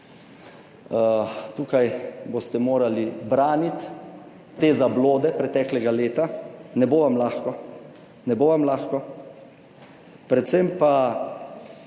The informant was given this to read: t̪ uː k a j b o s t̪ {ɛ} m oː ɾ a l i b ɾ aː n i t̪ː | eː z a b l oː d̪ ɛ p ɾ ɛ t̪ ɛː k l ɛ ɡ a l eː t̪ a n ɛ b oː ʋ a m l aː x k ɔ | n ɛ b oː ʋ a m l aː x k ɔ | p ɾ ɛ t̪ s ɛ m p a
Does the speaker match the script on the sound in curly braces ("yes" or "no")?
yes